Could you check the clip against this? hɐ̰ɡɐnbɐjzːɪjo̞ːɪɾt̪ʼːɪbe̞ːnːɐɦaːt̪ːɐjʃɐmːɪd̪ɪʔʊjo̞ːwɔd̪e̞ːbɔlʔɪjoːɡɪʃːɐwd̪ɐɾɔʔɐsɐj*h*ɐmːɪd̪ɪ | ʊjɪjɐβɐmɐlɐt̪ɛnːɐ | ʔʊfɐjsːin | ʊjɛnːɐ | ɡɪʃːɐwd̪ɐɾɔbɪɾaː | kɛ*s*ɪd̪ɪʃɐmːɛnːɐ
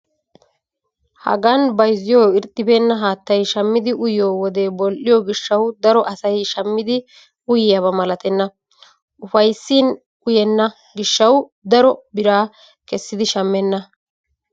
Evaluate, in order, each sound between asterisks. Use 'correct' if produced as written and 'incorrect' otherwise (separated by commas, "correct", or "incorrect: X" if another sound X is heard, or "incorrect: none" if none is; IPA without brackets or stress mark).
incorrect: ʃ, incorrect: sː